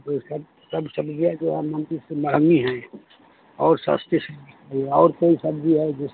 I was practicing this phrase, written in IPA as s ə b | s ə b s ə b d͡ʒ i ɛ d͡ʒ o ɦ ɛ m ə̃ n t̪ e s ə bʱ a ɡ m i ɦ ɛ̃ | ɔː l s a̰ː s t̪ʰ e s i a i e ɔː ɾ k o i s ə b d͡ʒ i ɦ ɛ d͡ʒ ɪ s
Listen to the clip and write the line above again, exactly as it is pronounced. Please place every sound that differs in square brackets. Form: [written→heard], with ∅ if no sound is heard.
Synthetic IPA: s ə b | s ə b s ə b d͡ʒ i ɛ d͡ʒ o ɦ ɛ m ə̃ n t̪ [e→i] s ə bʱ a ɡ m i ɦ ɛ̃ | ɔː [l→ɾ] s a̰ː s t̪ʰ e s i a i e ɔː ɾ k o i s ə b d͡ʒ i ɦ ɛ d͡ʒ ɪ s